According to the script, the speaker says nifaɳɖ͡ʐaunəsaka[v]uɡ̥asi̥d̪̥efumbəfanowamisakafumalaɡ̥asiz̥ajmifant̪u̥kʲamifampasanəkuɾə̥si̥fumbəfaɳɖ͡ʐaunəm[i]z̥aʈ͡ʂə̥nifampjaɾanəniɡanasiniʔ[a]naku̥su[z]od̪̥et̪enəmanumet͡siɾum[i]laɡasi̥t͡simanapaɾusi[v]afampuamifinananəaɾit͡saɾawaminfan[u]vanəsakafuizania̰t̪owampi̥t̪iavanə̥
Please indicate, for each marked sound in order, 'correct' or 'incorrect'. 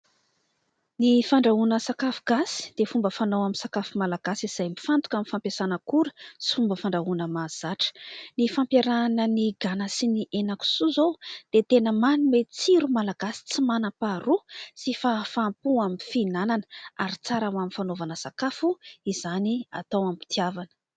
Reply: incorrect: f, incorrect: a, incorrect: e, correct, incorrect: a, incorrect: f, incorrect: o

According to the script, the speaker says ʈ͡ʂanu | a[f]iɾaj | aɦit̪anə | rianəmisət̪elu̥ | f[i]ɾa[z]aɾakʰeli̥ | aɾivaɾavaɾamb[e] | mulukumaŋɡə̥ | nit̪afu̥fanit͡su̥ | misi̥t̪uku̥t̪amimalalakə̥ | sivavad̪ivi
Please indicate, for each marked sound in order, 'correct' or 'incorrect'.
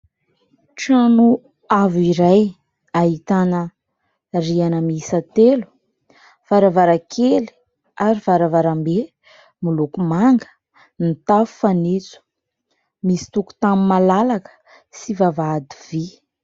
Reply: incorrect: v, incorrect: a, incorrect: v, correct

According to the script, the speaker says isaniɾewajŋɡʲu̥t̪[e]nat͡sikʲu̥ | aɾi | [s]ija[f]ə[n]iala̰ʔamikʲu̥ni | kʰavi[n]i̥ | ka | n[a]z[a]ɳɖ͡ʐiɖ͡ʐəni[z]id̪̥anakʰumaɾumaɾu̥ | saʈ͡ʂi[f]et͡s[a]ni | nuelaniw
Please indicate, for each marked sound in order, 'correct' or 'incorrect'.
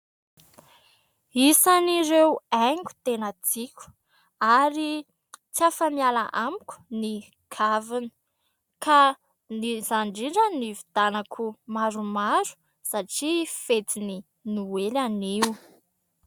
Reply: correct, incorrect: t͡s, correct, incorrect: m, correct, incorrect: i, correct, incorrect: v, correct, incorrect: i

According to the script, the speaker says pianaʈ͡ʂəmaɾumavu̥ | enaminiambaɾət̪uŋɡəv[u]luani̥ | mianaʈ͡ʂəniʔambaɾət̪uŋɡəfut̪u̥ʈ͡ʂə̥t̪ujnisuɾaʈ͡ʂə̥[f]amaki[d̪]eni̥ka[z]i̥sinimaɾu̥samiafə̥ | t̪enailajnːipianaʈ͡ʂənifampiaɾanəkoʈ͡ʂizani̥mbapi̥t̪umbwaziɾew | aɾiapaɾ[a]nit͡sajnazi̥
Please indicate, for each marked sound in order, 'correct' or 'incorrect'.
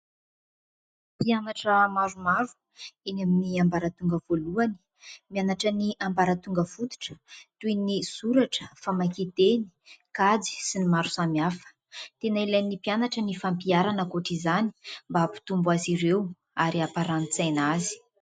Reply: incorrect: o, correct, incorrect: t̪, incorrect: d͡z, correct

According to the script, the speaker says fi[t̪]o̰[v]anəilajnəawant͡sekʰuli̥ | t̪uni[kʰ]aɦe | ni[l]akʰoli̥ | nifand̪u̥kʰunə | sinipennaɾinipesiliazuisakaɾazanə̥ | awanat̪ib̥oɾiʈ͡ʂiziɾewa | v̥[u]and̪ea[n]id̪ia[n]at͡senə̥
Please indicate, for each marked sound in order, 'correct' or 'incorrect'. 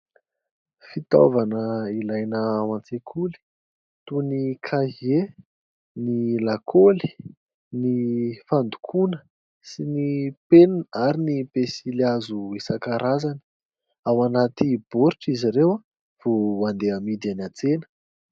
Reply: correct, correct, correct, correct, incorrect: o, incorrect: m, correct

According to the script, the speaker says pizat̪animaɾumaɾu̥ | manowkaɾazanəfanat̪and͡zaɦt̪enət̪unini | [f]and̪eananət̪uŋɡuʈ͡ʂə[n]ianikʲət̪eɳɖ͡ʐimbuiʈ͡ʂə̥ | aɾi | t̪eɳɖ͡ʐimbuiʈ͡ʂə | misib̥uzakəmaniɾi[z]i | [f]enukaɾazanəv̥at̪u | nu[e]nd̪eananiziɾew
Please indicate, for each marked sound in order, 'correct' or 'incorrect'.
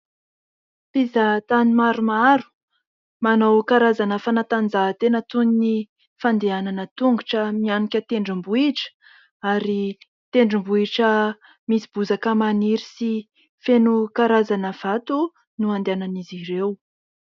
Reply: correct, incorrect: m, incorrect: s, correct, incorrect: a

